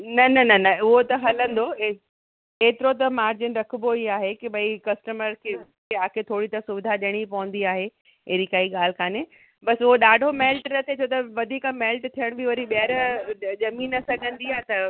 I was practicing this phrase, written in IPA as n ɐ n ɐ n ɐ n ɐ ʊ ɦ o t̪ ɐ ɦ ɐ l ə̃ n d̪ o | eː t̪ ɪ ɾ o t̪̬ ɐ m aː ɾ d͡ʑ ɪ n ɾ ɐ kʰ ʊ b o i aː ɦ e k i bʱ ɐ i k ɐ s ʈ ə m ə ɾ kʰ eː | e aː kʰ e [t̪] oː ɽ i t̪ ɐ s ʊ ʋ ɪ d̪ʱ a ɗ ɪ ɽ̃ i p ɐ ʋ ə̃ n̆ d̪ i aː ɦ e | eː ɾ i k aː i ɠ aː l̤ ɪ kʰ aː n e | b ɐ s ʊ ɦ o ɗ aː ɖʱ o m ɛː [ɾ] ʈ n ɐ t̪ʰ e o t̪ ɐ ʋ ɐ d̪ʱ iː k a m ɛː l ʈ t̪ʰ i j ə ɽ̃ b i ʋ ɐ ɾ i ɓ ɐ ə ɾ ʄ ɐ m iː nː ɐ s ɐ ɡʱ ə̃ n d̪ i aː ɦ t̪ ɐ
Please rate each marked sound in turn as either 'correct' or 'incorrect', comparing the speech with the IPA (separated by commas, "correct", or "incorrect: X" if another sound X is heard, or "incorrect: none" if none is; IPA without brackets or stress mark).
incorrect: t̪ʰ, incorrect: l